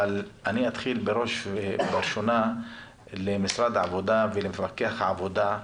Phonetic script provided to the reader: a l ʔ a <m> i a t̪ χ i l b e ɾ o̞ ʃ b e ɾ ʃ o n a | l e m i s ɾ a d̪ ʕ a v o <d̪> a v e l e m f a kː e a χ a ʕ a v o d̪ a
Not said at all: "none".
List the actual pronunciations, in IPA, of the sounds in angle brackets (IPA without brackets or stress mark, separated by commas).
n, d̪